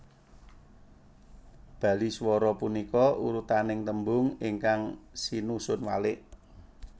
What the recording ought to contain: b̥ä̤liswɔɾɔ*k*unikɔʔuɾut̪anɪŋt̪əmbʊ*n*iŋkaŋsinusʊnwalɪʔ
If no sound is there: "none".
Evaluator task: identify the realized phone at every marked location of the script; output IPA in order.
p, ŋ

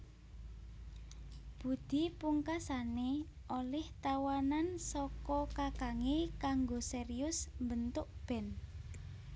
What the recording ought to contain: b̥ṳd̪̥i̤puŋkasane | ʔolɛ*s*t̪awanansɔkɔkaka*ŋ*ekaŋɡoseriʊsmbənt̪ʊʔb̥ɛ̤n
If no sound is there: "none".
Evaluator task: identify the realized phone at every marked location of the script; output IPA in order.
h, ŋ

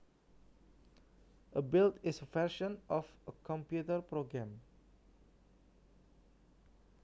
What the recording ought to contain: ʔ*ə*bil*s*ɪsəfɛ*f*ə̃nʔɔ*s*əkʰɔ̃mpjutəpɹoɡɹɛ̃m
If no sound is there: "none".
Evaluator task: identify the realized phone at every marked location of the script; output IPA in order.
ə, t, ʃ, f

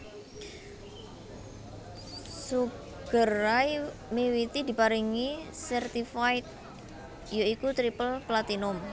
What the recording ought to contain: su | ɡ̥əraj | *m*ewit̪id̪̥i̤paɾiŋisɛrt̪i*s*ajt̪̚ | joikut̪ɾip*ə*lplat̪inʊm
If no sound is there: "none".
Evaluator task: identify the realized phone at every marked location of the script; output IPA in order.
m, f, ə

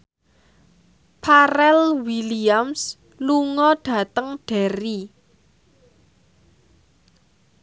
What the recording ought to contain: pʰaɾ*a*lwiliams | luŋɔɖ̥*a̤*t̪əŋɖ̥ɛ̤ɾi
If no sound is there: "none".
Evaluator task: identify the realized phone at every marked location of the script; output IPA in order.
ɛ, a̤

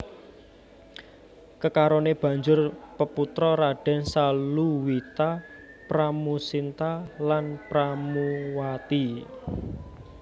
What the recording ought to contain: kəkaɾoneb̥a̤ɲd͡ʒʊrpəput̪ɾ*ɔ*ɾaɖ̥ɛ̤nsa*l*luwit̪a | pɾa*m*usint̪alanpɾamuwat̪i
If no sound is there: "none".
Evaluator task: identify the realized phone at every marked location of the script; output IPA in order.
ɔ, l, m

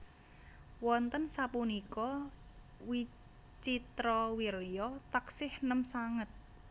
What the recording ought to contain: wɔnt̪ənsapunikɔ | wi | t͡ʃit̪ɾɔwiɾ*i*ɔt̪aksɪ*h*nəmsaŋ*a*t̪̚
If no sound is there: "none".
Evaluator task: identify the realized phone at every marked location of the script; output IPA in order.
j, h, ə

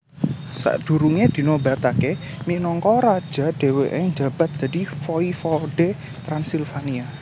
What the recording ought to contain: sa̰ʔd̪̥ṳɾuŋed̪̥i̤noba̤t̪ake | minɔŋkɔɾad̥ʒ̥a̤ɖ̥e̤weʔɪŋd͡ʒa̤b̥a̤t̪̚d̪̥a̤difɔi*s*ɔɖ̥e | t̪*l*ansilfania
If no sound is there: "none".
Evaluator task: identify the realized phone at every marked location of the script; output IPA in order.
f, ɾ

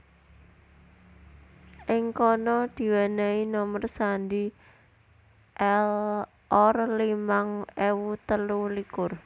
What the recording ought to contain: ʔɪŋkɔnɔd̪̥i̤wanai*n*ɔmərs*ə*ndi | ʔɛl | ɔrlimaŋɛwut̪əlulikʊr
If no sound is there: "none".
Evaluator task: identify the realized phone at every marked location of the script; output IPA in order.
n, a

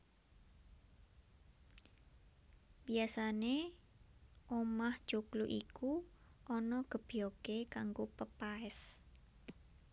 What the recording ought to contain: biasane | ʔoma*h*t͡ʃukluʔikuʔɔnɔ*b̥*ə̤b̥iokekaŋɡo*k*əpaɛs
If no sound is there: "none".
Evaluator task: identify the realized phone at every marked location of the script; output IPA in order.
h, ɡ̥, p

